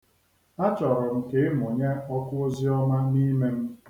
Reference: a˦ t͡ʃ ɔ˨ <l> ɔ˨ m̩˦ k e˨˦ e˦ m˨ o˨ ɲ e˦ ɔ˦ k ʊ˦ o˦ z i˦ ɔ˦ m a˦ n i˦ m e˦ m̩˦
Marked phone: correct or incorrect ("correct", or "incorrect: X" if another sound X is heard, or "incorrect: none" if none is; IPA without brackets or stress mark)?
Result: incorrect: ɾ